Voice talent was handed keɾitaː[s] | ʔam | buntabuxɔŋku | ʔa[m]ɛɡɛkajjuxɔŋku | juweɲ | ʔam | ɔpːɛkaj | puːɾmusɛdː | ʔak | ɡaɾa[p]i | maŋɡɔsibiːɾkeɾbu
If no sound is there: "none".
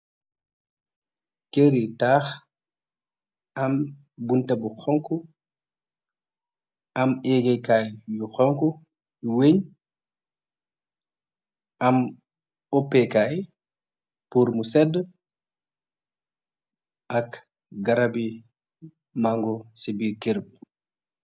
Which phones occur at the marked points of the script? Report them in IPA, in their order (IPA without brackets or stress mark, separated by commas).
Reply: x, m, b